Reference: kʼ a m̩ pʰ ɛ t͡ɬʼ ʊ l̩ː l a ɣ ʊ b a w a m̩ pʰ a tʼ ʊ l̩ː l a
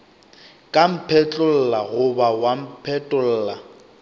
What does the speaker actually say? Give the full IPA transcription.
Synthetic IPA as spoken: kʼ a m̩ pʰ ɛ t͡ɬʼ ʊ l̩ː l a ɣ ʊ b a w a m̩ pʰ ɛ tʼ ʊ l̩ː l a